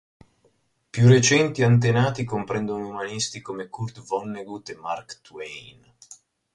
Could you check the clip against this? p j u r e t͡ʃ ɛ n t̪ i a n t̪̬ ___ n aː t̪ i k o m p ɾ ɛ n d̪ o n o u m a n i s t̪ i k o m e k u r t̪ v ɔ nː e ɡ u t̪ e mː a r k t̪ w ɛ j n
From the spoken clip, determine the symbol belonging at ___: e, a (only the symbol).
e